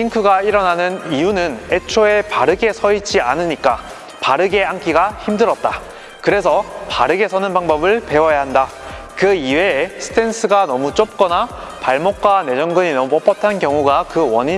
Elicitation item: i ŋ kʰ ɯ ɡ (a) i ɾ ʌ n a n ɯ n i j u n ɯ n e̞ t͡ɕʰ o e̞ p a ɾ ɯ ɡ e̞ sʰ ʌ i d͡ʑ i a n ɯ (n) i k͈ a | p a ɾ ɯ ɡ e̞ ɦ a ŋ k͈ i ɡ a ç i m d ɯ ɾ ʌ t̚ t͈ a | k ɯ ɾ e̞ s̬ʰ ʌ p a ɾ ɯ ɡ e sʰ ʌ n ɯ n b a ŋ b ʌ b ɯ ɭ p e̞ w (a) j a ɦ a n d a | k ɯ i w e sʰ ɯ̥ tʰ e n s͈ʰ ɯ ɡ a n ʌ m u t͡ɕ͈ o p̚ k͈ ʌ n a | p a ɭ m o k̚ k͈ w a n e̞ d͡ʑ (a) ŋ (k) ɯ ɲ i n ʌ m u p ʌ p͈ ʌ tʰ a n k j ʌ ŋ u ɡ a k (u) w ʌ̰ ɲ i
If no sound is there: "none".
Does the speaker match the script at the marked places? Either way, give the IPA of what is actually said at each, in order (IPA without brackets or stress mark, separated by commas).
a, ɲ, ʌ, ʌ, ɡ, ɯ